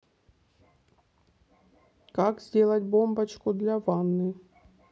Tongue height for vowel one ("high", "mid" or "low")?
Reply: low